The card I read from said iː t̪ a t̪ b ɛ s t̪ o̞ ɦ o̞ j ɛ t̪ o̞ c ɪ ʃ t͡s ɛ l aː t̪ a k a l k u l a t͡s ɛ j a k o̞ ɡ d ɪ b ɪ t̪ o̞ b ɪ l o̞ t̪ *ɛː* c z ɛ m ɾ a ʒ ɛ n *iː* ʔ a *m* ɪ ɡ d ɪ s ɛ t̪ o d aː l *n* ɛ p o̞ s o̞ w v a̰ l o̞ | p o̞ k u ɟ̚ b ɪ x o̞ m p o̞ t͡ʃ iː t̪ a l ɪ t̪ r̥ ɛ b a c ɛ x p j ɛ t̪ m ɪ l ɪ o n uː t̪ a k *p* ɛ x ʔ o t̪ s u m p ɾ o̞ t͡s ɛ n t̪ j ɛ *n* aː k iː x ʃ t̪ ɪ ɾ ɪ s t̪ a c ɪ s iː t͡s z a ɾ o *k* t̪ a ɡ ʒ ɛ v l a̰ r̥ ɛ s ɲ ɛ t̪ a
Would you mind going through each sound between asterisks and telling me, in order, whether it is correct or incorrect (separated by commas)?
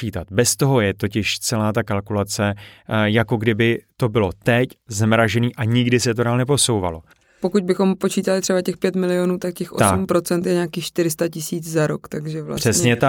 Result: incorrect, correct, incorrect, correct, incorrect, incorrect, correct